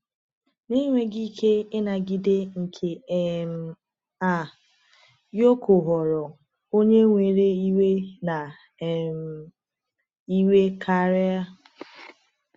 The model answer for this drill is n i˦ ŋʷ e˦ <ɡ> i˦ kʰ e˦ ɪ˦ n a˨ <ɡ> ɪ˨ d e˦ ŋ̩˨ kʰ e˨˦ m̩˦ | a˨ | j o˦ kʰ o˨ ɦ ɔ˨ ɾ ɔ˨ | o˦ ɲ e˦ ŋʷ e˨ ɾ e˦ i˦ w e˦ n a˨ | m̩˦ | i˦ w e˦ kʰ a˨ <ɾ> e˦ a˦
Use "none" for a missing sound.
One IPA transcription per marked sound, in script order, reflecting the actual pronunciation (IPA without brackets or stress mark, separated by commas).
ɡ, ɡ, ɾ